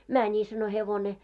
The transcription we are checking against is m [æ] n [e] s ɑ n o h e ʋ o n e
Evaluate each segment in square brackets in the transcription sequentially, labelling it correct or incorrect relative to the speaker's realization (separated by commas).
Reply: correct, incorrect